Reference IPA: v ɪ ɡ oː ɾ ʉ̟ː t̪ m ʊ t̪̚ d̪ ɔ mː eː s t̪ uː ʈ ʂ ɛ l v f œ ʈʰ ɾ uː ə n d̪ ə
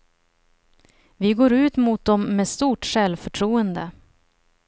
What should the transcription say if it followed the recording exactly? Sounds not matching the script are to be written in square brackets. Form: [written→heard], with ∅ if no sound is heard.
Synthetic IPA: v ɪ ɡ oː ɾ ʉ̟ː t̪ m ʊ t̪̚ d̪ ɔ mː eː s t̪ uː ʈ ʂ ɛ l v f œ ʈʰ ɾ uː ə n d̪ ə

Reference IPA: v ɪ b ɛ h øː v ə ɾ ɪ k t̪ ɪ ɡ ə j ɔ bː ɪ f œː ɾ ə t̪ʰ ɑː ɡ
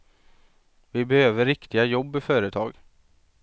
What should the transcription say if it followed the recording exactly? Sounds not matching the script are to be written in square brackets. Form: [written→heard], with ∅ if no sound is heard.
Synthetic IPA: v ɪ b ɛ h øː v ə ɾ ɪ k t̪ ɪ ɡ [ə→a] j ɔ bː ɪ f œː ɾ ə t̪ʰ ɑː ɡ

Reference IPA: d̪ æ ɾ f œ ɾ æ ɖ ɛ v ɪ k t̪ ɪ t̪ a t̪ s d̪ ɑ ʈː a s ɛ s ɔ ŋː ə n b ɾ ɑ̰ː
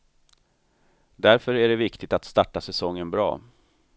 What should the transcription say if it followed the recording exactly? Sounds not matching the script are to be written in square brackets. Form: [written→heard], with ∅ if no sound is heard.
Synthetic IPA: d̪ æ ɾ f œ ɾ æ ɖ ɛ v ɪ k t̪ ɪ t̪ a t̪ s [d̪→t̪] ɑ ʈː a s ɛ s ɔ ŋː ə n b ɾ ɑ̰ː

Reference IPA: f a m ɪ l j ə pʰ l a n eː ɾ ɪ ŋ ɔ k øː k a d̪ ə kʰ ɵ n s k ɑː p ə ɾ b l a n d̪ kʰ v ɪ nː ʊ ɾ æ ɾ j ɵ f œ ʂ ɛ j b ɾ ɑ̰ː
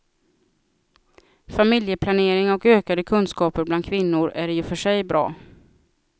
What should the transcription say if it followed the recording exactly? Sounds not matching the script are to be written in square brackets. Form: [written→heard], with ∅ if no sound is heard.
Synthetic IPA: f a m ɪ l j ə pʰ l a n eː ɾ ɪ ŋ ɔ k øː k a d̪ ə kʰ ɵ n s k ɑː p ə ɾ b l a n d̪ kʰ v ɪ nː ʊ ɾ æ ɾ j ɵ f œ ʂ ɛ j b ɾ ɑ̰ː

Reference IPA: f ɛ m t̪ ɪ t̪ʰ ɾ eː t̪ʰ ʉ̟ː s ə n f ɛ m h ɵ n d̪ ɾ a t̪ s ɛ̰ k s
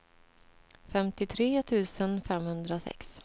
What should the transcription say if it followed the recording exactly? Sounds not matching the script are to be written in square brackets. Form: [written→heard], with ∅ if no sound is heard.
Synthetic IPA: f ɛ m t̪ ɪ t̪ʰ ɾ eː t̪ʰ ʉ̟ː s ə n f ɛ m h ɵ n d̪ ɾ a [t̪→∅] s ɛ̰ k s

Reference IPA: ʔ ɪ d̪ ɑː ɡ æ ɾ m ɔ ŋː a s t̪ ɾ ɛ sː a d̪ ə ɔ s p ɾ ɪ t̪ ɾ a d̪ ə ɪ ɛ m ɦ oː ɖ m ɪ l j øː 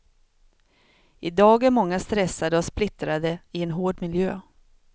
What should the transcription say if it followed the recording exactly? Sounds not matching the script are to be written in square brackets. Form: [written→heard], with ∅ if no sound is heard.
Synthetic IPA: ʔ ɪ d̪ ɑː ɡ æ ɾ m ɔ ŋː a s t̪ ɾ ɛ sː a d̪ ə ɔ s p [ɾ→l] ɪ t̪ ɾ a d̪ ə ɪ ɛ [m→n] ɦ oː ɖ m ɪ l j øː

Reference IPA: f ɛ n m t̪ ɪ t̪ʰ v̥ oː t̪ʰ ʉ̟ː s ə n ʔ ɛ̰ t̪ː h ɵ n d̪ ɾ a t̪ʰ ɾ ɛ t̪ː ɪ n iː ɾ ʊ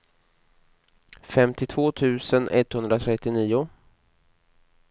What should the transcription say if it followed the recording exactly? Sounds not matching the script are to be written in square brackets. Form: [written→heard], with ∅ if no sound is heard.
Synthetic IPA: f ɛ [n→∅] m t̪ ɪ t̪ʰ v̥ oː t̪ʰ ʉ̟ː s ə n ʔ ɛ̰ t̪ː h ɵ n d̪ ɾ a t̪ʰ ɾ ɛ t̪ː ɪ n iː [ɾ→∅] ʊ

